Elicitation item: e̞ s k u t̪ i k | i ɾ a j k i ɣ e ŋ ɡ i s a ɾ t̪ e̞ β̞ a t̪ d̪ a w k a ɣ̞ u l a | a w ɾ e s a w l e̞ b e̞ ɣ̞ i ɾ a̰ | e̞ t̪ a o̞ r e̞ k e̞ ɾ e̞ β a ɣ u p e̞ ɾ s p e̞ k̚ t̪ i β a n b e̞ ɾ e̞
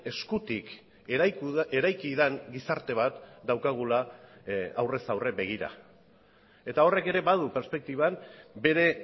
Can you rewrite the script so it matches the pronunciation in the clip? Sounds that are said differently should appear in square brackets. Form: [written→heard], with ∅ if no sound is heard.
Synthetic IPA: e̞ s k u t̪ i k | [i→e] ɾ a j k i [ɣ→ð] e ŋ ɡ i s a ɾ t̪ e̞ β̞ a t̪ d̪ a w k a ɣ̞ u l a | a w [ɾ→r] e s a w [l→r] e̞ b e̞ ɣ̞ i ɾ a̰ | e̞ t̪ a o̞ r e̞ k e̞ ɾ e̞ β a [ɣ→ð] u p e̞ ɾ s p e̞ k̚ t̪ i β a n b e̞ ɾ e̞